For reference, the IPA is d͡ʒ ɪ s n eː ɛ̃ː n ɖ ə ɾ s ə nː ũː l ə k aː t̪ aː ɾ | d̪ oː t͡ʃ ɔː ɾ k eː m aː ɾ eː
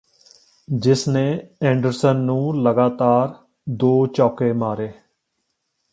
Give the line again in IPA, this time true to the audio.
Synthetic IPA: d͡ʒ ɪ s n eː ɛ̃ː ɳ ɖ ə ɾ s ə nː ũː l ə ɡ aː t̪ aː ɾ | d̪ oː t͡ʃ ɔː k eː m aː ɾ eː